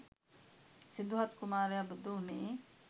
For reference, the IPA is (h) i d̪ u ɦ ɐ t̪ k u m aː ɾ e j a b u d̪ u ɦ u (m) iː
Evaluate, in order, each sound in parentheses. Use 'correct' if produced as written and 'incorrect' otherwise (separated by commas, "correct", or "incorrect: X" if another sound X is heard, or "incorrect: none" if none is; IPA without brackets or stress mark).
incorrect: s, incorrect: n